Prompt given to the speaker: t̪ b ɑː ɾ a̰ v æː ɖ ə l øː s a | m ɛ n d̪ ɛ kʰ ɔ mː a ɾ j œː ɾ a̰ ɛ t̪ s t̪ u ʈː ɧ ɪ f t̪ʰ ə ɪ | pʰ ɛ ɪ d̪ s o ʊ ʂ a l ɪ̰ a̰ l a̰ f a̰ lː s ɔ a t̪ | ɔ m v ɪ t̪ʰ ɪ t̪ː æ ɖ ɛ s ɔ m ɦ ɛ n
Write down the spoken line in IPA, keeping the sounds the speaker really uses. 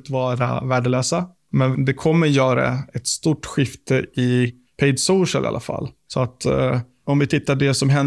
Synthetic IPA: t̪ v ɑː ɾ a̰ v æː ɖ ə l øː s a | m ɛ n d̪ ɛ kʰ ɔ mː ə ɾ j œː ɾ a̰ ɛ t̪ s t̪ u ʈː ɧ ɪ f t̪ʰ ə ɪ | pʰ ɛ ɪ d̪ s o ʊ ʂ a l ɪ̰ a̰ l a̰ f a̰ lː s ɔ a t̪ | ɔ m v ɪ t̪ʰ ɪ t̪ː a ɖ ɛ s ɔ m ɦ ɛ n